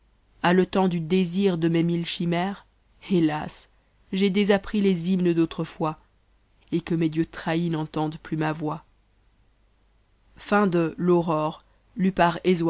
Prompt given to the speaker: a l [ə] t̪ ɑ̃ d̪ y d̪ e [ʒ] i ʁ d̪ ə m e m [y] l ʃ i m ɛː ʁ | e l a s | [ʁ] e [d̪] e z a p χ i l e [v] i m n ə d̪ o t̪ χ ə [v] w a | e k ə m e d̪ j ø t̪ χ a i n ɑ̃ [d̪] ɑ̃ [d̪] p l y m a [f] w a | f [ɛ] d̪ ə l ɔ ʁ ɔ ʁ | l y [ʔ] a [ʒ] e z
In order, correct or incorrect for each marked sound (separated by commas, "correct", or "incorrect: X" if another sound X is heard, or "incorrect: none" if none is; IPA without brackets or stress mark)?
correct, incorrect: z, incorrect: i, incorrect: ʒ, correct, incorrect: z, incorrect: f, incorrect: t̪, correct, incorrect: v, incorrect: ɛ̃, incorrect: p, incorrect: ʁ